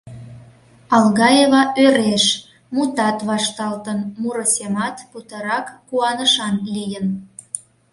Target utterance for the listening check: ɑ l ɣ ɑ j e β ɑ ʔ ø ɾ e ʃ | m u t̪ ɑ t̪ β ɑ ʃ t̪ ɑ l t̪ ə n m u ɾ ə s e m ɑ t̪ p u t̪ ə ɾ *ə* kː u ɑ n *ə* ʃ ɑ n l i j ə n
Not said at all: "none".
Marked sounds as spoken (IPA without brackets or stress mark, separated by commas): ɑ, ə